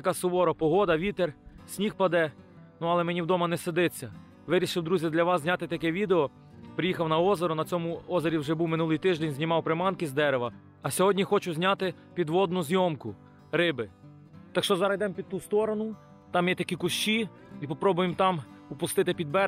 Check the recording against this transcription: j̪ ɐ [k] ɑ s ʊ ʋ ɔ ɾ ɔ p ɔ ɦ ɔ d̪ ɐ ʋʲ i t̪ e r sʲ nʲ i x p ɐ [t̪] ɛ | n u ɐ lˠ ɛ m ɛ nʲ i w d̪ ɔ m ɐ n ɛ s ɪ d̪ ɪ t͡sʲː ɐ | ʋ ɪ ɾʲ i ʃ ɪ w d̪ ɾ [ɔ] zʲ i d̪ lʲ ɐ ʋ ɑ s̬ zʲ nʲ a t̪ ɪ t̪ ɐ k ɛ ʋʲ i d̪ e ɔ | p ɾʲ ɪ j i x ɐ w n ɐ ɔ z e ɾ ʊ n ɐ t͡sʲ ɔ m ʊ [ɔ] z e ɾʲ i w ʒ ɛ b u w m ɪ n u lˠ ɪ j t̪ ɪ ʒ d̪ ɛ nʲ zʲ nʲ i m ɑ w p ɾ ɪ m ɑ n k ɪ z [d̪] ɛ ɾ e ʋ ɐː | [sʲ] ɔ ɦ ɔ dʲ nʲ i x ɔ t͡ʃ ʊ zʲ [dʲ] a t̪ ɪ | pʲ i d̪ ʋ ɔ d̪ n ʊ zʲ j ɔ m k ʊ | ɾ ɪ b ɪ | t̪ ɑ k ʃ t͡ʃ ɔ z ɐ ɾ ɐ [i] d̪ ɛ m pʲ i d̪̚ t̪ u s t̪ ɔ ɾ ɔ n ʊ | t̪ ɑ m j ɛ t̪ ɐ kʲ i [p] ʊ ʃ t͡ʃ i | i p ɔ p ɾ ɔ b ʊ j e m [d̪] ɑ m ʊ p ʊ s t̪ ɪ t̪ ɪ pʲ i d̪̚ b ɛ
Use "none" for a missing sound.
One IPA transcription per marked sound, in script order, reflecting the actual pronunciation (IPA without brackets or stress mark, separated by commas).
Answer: k, d̪, u, ɔ, d̪, sʲ, nʲ, j, k, t̪